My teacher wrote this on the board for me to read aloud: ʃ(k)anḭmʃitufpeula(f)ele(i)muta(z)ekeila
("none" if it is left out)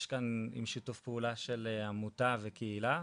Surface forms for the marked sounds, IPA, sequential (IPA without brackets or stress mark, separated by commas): k, ʃ, a, v